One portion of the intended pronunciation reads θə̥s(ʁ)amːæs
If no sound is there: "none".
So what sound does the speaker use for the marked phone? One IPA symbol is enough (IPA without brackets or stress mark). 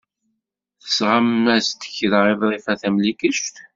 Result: ʁ